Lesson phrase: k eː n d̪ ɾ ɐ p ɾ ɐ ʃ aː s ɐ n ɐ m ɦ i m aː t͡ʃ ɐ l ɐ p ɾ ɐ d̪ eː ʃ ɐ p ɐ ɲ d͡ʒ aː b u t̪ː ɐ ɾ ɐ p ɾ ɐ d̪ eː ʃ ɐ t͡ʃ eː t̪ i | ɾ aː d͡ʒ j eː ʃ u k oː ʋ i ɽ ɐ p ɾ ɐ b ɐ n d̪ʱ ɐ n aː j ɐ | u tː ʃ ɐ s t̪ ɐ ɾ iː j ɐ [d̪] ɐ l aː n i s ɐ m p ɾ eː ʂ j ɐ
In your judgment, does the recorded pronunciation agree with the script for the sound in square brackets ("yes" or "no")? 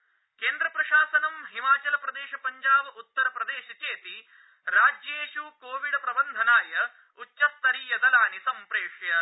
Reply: yes